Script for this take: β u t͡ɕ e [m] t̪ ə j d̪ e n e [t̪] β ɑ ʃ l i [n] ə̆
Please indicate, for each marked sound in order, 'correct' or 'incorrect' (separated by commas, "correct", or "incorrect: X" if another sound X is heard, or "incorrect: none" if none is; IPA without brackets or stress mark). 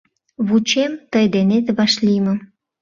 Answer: correct, correct, incorrect: m